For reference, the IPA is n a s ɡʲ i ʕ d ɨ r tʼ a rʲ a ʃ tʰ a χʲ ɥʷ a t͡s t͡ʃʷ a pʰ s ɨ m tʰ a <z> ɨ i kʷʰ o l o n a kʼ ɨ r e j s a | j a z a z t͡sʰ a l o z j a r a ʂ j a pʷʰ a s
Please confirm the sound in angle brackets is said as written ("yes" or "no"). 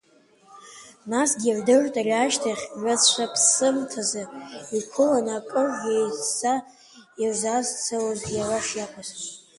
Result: yes